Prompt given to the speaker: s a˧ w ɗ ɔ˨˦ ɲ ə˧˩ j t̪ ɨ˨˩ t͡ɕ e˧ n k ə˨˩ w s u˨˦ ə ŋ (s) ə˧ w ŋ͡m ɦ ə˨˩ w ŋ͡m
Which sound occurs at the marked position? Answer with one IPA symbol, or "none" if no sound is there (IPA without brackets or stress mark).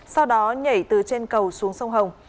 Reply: s